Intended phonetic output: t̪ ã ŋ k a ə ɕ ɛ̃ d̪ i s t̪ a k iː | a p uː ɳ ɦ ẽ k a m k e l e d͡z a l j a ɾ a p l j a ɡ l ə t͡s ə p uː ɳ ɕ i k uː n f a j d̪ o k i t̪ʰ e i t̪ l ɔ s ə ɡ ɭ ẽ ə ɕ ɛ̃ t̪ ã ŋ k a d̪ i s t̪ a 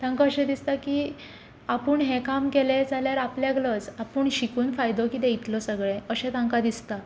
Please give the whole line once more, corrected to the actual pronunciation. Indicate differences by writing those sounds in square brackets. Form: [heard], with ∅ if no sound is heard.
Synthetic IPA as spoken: t̪ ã ŋ k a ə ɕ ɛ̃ d̪ i s t̪ a k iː | a p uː ɳ ɦ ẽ k a m k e l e d͡z a l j a ɾ a p l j a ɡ l ə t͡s [a] p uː ɳ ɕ i k uː n f a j d̪ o k i [t̪] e i t̪ l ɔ s ə ɡ ɭ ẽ ə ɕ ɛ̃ t̪ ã ŋ k a d̪ i s t̪ a